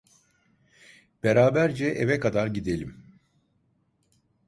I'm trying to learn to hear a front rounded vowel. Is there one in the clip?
no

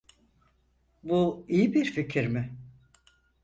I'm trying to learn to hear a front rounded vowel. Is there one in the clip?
no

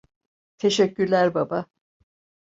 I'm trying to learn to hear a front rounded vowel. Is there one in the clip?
yes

